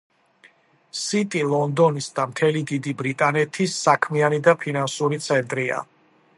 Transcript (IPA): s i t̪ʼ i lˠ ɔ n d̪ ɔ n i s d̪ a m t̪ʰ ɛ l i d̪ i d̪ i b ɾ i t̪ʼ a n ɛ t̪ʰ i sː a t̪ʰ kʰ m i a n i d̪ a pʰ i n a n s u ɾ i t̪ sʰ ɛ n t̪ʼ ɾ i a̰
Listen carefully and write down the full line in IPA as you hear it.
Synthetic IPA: s i t̪ʼ i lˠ ɔ n d̪ ɔ n i s d̪ a m t̪ʰ ɛ l i d̪ i d̪ i b ɾ i t̪ʼ a n ɛ t̪ʰ i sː a kʰ m i a n i d̪ a pʰ i n a n s u ɾ i t̪ sʰ ɛ n t̪ʼ ɾ i a̰